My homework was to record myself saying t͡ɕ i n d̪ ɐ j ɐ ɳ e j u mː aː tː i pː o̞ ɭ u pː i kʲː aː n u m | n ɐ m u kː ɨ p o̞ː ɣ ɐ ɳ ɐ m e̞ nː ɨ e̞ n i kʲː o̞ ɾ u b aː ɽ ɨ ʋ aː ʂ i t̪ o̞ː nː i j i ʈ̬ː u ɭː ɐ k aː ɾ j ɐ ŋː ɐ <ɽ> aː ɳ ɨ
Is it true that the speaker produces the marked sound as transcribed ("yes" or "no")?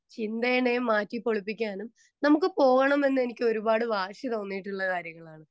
no